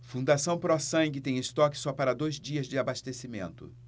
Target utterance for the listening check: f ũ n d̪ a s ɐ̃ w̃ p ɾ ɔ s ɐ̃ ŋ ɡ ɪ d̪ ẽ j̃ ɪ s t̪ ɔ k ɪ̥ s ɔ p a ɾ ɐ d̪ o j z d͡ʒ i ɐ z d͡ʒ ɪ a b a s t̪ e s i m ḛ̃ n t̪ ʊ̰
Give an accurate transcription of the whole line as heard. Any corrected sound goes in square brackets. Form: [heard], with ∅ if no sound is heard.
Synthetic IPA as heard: f ũ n d̪ a s ɐ̃ w̃ p ɾ ɔ s ɐ̃ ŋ ɡ ɪ [t̪] ẽ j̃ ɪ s t̪ ɔ k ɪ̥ s ɔ p a ɾ ɐ d̪ o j z d͡ʒ i ɐ z d͡ʒ ɪ a b a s t̪ e s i m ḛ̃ n t̪ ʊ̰